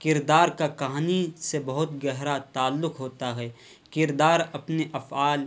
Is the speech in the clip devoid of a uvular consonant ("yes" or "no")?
yes